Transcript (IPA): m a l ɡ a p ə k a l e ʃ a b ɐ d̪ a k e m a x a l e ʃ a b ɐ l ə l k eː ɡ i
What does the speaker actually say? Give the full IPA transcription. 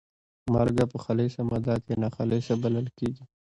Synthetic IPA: m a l ɡ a p ə x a l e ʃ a m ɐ d̪ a k e n a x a l e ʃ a b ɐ l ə l k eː ɡ i